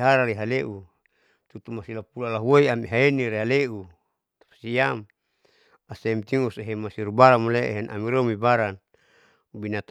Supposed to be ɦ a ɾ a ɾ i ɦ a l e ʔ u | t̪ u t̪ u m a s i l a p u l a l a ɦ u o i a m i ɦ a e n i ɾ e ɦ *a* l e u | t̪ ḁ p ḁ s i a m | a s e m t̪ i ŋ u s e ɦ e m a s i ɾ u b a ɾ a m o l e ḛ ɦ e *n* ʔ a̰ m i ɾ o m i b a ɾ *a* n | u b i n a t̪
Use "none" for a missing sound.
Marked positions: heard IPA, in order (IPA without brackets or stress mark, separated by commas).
a, n, a